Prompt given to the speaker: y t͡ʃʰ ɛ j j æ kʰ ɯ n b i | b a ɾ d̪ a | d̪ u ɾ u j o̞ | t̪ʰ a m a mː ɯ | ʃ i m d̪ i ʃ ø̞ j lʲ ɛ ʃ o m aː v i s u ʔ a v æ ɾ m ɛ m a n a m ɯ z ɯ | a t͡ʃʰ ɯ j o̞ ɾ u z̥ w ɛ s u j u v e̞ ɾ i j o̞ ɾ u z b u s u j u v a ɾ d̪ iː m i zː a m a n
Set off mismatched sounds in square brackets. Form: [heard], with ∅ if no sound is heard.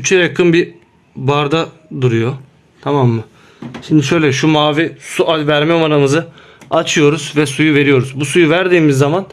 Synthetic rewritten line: y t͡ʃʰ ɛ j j [a] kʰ ɯ n b i | b a ɾ d̪ a | d̪ u ɾ u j o̞ | t̪ʰ a m a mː ɯ | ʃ i m d̪ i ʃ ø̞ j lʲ ɛ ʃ [u] m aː v i s u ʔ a v æ ɾ m ɛ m a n a m ɯ z ɯ | a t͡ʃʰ ɯ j o̞ ɾ u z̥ [v] ɛ s u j u v e̞ ɾ i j o̞ ɾ u z b u s u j u v [æ] ɾ d̪ iː m i zː a m a n

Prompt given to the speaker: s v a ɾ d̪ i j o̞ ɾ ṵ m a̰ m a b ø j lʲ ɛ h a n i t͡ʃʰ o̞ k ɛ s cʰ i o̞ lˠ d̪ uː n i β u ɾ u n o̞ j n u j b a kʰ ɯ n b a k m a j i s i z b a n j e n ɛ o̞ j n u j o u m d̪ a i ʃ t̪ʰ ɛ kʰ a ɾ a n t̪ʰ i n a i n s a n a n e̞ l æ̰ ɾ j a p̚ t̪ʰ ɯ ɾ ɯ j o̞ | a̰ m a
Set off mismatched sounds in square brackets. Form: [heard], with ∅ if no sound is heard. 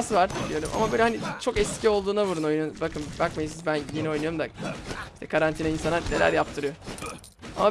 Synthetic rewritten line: s v a ɾ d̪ i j o̞ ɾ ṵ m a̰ m a b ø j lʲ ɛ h a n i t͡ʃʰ o̞ k ɛ s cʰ i o̞ lˠ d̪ uː n [a] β u ɾ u n o̞ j n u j b a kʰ ɯ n b a k m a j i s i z b [æ] n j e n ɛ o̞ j n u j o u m d̪ a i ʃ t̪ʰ ɛ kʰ a ɾ a n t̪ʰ i n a i n s a n a n e̞ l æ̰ ɾ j a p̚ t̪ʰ ɯ ɾ ɯ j o̞ | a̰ m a

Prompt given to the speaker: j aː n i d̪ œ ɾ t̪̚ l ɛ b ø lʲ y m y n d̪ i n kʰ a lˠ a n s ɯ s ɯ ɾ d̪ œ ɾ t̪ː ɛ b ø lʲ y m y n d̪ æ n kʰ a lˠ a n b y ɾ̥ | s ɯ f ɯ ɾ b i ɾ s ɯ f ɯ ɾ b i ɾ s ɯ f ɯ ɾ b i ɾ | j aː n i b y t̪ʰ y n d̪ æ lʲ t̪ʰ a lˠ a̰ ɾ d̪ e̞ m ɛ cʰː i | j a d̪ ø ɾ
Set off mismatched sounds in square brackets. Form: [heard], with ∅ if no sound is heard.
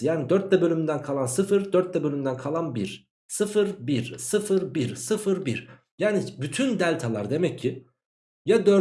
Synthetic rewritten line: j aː n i d̪ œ ɾ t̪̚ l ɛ b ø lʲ y m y n d̪ [æ] n kʰ a lˠ a n s ɯ [f] ɯ ɾ d̪ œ ɾ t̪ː ɛ b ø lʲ y m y n d̪ æ n kʰ a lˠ a n b [i] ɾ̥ | s ɯ f ɯ ɾ b i ɾ s ɯ f ɯ ɾ b i ɾ s ɯ f ɯ ɾ b i ɾ | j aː n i b y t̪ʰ y n d̪ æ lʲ t̪ʰ a lˠ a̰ ɾ d̪ e̞ m ɛ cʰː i | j a d̪ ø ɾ

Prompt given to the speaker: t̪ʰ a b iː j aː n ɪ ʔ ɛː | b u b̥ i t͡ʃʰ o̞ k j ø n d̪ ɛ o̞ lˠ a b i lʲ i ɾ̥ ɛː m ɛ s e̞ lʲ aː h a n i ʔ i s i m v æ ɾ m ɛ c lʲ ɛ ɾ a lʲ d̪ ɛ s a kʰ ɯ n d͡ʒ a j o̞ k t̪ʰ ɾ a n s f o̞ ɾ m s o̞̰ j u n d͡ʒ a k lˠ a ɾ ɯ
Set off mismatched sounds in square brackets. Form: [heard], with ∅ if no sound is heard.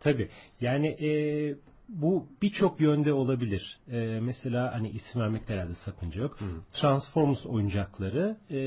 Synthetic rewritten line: t̪ʰ a b iː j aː n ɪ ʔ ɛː | b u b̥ i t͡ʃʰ o̞ k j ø n d̪ ɛ o̞ lˠ a b i lʲ i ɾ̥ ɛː m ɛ s e̞ lʲ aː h a n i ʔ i s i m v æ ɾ m ɛ c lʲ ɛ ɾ a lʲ d̪ ɛ s a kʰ ɯ n d͡ʒ a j o̞ k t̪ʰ ɾ a n s f o̞ ɾ m s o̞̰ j u n d͡ʒ a k lˠ a ɾ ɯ

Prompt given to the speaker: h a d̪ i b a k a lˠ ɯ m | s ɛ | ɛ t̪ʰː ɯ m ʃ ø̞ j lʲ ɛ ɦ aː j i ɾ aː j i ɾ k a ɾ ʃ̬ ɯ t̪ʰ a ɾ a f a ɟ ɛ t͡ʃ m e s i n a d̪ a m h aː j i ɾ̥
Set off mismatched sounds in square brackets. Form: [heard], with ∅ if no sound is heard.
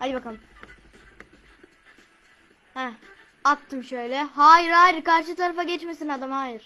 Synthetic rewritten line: h a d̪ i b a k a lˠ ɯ m | [h] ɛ | [a] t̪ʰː ɯ m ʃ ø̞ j lʲ ɛ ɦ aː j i ɾ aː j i ɾ k a ɾ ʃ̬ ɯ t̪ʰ a ɾ a f a ɟ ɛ t͡ʃ m e s i n a d̪ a m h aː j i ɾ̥

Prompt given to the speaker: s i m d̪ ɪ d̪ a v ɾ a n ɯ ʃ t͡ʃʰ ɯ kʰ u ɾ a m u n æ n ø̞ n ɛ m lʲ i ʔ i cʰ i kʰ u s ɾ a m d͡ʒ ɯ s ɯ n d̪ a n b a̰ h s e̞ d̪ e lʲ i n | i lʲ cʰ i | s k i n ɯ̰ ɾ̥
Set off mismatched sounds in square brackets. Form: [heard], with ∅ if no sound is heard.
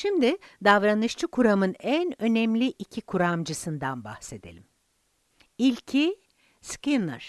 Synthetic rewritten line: [ʃ] i m d̪ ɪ d̪ a v ɾ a n ɯ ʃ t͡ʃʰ ɯ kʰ u ɾ a m [ɯ] n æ n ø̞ n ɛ m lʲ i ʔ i cʰ i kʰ u [∅] ɾ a m d͡ʒ ɯ s ɯ n d̪ a n b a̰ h s e̞ d̪ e lʲ i [m] | i lʲ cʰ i | s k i n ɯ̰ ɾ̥

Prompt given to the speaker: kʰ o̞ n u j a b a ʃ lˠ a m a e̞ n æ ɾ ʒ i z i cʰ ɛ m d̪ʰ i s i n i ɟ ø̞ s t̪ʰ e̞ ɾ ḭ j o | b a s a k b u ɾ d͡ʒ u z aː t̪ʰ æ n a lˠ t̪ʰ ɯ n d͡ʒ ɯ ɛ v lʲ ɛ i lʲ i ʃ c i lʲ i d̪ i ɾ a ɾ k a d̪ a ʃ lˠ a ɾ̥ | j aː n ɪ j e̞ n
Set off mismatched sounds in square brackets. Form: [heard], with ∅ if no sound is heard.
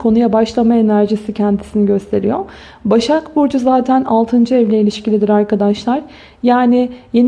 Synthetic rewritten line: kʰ o̞ n u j a b a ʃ lˠ a m a e̞ n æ ɾ ʒ i [s] i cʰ ɛ [n] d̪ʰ i s i n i ɟ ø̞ s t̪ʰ e̞ ɾ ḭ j o | b a [ʃ] a k b u ɾ d͡ʒ u z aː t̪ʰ æ n a lˠ t̪ʰ ɯ n d͡ʒ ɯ ɛ v lʲ ɛ i lʲ i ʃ c i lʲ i d̪ i ɾ a ɾ k a d̪ a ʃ lˠ a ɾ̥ | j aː n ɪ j e̞ n

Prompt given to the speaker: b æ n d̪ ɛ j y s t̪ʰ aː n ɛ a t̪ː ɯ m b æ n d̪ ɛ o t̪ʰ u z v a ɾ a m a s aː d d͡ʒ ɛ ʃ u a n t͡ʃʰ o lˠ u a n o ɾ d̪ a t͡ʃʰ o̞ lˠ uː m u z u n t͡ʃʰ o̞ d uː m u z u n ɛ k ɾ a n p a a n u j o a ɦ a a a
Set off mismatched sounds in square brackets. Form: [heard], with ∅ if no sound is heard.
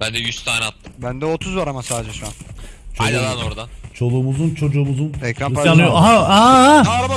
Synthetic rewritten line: b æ n d̪ ɛ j y s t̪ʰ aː n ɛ a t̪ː ɯ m b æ n d̪ ɛ o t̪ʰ u z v a ɾ a m a s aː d d͡ʒ ɛ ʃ u a n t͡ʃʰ o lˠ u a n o ɾ d̪ a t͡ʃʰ o̞ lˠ uː m u z u n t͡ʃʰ o̞ [d͡ʒ] uː m u z u n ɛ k ɾ a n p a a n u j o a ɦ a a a

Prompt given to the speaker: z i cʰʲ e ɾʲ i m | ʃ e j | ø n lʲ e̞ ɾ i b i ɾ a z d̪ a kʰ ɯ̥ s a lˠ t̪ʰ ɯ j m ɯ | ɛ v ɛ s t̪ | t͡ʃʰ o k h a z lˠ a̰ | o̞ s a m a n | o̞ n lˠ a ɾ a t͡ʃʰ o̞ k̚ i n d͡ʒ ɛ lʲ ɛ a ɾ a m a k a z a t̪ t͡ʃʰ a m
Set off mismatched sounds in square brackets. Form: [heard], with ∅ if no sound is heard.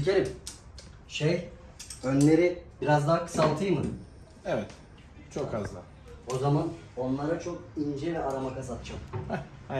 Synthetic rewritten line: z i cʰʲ e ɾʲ i m | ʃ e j | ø n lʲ e̞ ɾ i b i ɾ a z d̪ a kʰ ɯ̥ s a lˠ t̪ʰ ɯ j m ɯ | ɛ v ɛ [∅] t̪ | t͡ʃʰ o k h a z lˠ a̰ | o̞ [z] a m a n | o̞ n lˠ a ɾ a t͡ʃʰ o̞ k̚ i n d͡ʒ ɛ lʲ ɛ a ɾ a m a k a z a t̪ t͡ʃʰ a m

